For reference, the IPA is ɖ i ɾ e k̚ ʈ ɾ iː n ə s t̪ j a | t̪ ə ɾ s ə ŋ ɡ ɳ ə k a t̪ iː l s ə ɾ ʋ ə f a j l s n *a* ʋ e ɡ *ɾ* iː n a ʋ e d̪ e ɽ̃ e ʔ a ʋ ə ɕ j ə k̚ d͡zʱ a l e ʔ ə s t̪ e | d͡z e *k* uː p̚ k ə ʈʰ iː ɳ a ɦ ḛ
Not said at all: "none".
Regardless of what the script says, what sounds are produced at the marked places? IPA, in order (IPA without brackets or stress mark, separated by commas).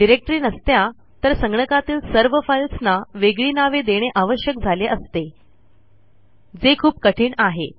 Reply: a, ɭ, kʰ